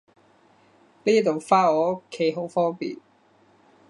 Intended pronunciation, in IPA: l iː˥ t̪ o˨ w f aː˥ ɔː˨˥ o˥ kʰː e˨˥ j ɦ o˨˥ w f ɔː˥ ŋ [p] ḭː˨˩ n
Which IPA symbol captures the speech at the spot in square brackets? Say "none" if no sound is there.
p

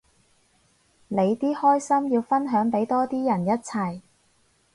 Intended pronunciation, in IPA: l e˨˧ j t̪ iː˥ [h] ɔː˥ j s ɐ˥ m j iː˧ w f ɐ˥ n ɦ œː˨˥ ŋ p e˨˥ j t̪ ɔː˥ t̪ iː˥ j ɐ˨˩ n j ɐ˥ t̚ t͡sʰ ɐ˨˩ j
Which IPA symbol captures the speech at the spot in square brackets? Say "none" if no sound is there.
h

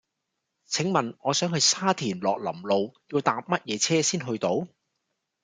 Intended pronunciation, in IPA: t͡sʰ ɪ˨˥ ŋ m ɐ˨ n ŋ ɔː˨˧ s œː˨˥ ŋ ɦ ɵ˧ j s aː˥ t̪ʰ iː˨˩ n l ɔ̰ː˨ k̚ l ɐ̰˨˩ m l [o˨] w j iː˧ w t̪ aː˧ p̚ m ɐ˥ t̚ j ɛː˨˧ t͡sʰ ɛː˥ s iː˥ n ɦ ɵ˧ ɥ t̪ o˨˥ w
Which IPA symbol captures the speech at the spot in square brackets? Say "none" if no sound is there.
o˨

